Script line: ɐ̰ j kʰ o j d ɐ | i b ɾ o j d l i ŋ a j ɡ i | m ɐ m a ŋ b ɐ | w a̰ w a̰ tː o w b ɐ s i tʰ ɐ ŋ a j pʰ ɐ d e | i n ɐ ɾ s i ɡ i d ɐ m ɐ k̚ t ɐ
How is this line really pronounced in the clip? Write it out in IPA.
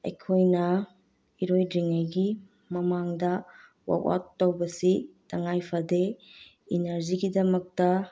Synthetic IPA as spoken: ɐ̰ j kʰ o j n ɐ | i ɾ o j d ɾ i ŋ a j ɡ i | m ɐ m a ŋ d ɐ | w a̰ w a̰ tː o w b ɐ s i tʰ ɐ ŋ a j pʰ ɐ d e | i n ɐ ɾ z i ɡ i d ɐ m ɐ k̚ t ɐ